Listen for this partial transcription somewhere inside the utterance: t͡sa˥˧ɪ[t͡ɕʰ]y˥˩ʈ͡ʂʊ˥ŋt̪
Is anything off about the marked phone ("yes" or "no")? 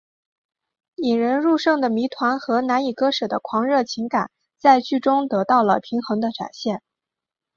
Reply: yes